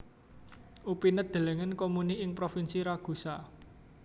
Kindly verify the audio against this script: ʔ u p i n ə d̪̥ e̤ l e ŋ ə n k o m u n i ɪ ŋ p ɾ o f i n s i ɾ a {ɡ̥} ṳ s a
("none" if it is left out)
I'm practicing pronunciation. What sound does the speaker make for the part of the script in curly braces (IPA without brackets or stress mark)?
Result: ɡ̥